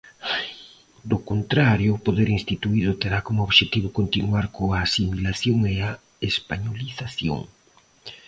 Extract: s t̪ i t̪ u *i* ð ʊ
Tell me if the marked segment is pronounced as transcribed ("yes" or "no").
yes